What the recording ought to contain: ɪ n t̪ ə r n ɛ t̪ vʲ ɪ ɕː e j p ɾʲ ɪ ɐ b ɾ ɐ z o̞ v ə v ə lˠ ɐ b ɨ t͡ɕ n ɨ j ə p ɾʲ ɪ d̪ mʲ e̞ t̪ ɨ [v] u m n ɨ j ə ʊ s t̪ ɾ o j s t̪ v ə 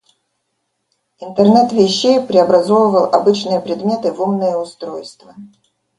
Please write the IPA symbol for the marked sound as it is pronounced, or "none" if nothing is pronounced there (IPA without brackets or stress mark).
v